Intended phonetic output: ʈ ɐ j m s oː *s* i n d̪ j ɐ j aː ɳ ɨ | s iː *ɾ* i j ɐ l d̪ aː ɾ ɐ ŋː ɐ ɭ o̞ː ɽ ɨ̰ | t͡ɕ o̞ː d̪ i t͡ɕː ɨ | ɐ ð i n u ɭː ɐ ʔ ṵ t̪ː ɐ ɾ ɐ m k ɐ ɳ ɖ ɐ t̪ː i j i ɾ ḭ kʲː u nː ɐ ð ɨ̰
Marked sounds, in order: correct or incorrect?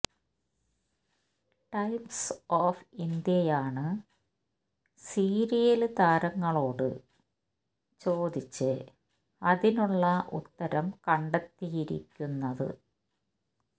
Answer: incorrect, correct

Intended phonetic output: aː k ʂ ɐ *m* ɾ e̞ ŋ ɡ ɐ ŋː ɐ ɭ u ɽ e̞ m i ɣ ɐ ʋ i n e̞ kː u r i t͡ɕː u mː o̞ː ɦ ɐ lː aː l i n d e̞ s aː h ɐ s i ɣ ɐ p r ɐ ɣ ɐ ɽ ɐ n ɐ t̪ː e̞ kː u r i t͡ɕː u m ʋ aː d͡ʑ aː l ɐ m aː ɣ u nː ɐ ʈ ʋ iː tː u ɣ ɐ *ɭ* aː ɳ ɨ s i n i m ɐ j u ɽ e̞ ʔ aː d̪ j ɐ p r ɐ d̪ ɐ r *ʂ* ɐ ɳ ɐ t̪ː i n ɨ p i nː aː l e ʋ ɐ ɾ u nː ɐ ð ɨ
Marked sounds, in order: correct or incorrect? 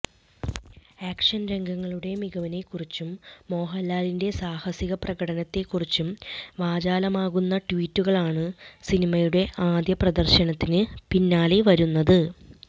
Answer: incorrect, correct, incorrect

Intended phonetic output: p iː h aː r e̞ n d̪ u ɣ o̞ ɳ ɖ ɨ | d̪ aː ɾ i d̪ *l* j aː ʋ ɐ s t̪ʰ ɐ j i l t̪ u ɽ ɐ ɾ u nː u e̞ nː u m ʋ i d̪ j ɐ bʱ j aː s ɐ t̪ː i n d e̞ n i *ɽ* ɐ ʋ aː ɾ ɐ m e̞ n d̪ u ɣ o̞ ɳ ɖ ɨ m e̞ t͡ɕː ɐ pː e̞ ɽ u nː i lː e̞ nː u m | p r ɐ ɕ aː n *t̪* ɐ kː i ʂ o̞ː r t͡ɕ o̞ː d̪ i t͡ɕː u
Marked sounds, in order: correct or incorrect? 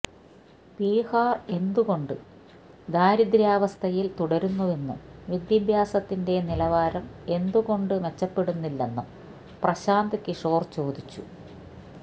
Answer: incorrect, incorrect, incorrect

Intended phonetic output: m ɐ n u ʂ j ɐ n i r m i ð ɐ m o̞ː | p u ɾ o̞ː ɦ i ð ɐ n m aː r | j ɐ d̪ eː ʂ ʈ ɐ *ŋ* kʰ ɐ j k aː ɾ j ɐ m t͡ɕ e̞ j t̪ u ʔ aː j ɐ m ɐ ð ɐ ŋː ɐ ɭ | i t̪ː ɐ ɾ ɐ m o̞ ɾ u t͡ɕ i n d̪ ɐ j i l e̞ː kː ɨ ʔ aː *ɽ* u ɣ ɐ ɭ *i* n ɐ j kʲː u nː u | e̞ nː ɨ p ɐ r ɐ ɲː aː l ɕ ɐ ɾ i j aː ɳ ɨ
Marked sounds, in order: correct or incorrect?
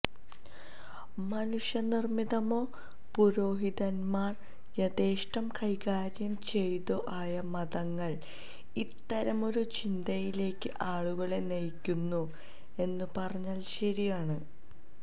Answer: incorrect, incorrect, incorrect

